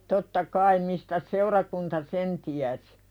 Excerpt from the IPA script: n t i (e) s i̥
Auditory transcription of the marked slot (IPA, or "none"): æ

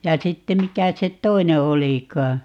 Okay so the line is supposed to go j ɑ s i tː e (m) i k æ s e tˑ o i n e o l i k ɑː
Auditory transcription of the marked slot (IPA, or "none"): m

